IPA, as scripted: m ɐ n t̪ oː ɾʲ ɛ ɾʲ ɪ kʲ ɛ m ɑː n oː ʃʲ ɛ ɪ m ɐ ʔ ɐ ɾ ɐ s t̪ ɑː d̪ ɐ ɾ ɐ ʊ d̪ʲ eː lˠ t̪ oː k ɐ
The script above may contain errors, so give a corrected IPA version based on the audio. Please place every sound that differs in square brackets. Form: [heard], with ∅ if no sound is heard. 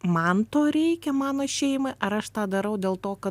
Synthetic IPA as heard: m ɐ n t̪ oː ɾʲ ɛ [∅] ɪ kʲ ɛ m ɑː n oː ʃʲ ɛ ɪ m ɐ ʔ ɐ ɾ ɐ [ʃ] t̪ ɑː d̪ ɐ ɾ ɐ ʊ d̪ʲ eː lˠ t̪ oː k ɐ